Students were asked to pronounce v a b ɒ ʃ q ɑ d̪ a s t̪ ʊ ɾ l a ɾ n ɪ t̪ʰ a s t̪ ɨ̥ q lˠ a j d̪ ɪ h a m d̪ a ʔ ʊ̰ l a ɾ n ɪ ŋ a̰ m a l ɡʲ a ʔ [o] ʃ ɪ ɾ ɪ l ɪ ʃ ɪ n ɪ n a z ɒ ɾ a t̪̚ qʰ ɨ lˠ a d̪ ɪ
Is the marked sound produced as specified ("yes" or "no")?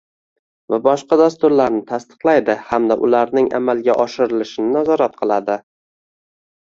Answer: no